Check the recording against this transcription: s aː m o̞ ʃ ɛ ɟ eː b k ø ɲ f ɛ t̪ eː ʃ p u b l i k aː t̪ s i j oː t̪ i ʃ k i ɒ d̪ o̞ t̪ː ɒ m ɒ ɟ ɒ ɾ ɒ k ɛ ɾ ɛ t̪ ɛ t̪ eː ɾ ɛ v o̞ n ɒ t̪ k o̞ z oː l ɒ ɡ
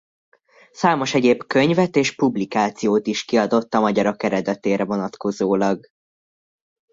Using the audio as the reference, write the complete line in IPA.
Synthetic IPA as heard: s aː m o̞ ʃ ɛ ɟ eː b k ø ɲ v ɛ t̪ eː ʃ p u b l i k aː t̪ s i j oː t̪ i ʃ k i ɒ d̪ o̞ t̪ː ɒ m ɒ ɟ ɒ ɾ ɒ k ɛ ɾ ɛ d̪ ɛ t̪ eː ɾ ɛ v o̞ n ɒ t̪ k o̞ z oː l ɒ ɡ